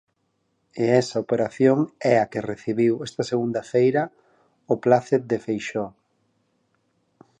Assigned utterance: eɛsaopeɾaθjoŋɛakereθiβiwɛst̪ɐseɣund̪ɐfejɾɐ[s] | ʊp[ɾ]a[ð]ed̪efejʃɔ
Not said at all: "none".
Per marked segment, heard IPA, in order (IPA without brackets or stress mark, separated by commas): none, l, θ